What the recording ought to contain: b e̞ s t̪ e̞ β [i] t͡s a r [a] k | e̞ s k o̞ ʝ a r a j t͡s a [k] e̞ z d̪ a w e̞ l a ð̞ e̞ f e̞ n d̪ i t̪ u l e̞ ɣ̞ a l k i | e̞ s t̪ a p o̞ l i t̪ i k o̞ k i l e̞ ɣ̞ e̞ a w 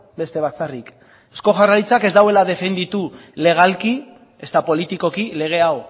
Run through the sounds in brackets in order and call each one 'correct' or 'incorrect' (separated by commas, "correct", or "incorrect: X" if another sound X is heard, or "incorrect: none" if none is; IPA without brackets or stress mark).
incorrect: a, incorrect: i, correct